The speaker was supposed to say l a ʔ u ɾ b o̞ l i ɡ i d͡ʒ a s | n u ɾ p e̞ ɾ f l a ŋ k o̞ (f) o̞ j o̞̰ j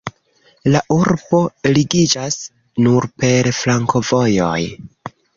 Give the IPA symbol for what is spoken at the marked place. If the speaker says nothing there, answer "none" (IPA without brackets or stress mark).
v